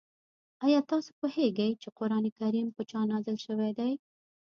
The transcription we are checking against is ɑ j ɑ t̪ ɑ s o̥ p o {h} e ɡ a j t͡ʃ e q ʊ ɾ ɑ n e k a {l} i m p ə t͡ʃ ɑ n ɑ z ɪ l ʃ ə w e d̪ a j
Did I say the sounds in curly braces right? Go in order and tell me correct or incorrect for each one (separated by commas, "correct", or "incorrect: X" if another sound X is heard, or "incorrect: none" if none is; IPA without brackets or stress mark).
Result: correct, incorrect: ɾ